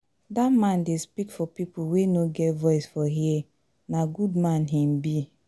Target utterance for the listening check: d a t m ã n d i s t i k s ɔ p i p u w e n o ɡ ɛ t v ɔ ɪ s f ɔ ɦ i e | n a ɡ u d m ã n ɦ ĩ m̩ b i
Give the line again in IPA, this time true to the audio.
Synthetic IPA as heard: d a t m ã n d e s p i k f ɔ p i p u w e n o ɡ ɛ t v ɔ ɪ s f ɔ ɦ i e | n a ɡ u d m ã n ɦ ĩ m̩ b i